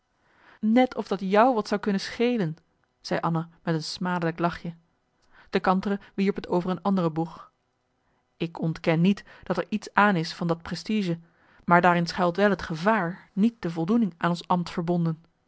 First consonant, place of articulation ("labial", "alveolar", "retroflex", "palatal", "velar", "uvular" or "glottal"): alveolar